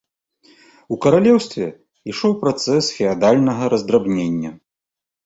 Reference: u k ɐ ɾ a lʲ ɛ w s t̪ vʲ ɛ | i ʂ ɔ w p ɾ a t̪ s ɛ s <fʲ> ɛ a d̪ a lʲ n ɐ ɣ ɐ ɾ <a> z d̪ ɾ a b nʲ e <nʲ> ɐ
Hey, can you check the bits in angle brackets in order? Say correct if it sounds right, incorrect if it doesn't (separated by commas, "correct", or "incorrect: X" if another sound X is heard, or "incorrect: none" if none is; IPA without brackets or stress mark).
correct, incorrect: ɐ, incorrect: nʲː